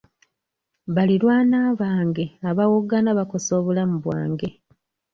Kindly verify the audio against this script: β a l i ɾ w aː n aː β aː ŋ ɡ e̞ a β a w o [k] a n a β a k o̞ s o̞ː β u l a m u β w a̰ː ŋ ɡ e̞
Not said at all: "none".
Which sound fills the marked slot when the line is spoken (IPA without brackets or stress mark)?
ɡ